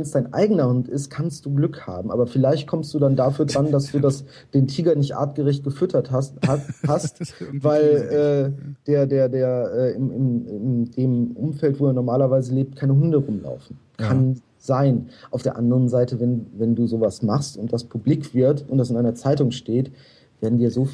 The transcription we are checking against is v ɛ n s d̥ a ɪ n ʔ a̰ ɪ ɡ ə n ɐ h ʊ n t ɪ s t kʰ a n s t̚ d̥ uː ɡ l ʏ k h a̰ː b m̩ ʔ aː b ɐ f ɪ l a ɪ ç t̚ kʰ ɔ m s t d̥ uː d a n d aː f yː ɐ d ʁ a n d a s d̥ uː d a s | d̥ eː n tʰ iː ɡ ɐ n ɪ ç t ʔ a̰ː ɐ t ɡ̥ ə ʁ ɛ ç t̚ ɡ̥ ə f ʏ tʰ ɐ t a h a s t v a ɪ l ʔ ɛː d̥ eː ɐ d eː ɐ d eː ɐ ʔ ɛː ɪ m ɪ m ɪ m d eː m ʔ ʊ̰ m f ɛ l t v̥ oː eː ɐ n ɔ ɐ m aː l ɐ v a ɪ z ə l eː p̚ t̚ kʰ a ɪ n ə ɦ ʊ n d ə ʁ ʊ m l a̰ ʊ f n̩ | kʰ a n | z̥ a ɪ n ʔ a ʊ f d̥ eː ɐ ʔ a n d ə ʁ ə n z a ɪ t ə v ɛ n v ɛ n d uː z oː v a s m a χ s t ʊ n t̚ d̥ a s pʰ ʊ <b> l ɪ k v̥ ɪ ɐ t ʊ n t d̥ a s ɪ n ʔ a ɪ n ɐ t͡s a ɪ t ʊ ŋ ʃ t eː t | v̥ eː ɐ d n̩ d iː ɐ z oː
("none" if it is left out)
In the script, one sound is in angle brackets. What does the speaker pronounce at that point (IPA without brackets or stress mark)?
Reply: b